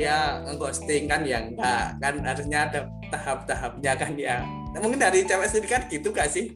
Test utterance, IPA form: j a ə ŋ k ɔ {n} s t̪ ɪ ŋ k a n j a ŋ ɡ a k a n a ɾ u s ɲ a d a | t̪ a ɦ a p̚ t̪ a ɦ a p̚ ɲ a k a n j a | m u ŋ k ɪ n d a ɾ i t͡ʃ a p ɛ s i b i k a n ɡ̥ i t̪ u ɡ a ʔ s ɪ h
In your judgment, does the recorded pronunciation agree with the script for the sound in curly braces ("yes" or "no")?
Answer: no